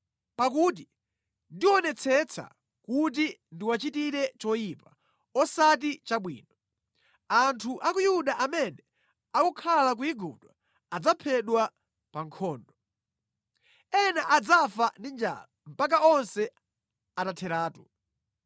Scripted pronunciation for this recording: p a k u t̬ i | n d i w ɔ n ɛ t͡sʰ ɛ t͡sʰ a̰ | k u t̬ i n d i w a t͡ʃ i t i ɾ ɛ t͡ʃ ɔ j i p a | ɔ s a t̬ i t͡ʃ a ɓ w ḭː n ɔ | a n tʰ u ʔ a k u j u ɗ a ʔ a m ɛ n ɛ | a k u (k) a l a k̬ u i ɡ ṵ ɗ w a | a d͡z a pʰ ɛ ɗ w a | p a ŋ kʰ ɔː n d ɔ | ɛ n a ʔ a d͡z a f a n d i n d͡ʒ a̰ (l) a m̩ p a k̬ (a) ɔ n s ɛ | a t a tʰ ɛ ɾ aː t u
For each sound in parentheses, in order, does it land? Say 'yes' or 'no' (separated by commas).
no, yes, yes